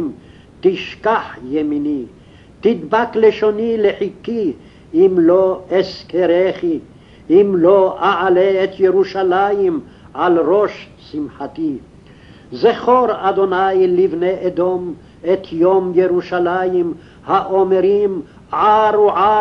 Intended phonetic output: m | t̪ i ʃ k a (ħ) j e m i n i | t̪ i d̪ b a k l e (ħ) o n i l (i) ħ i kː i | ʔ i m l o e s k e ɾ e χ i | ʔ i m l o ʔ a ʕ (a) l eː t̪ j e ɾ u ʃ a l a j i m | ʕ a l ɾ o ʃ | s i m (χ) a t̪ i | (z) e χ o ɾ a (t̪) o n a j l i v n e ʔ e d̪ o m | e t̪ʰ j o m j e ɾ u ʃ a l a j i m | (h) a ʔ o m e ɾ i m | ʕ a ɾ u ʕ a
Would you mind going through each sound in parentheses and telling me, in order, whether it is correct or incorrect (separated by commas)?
correct, incorrect, incorrect, correct, incorrect, correct, incorrect, correct